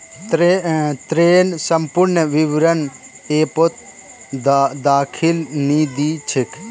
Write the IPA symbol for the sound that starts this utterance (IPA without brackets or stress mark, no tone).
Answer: t̪